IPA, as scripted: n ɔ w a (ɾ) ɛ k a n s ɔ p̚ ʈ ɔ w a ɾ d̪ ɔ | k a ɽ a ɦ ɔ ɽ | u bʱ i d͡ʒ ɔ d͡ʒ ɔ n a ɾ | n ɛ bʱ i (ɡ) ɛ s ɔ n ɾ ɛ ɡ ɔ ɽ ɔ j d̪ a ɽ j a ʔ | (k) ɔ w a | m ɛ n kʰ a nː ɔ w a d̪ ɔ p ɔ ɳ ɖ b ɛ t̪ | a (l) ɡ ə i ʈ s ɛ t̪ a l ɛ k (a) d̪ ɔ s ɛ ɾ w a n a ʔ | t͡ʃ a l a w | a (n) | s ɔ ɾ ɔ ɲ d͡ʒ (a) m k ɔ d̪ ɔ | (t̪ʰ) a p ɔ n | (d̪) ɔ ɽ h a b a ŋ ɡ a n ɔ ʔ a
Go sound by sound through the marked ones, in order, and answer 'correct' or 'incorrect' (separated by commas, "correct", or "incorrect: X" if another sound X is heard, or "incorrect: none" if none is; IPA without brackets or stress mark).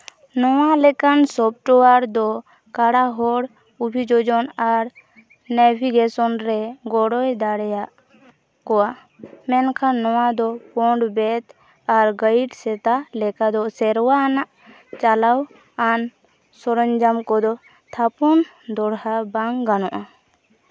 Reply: incorrect: l, correct, correct, incorrect: ɾ, correct, correct, correct, correct, correct